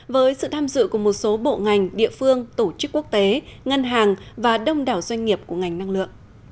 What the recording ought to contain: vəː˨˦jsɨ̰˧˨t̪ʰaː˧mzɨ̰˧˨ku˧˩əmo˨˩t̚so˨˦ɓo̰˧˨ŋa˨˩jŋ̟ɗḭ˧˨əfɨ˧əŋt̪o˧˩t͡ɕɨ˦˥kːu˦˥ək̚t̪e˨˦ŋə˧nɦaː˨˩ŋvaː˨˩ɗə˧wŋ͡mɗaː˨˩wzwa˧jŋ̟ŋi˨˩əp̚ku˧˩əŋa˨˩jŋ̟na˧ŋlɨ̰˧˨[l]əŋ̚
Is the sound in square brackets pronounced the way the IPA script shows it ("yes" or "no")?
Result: no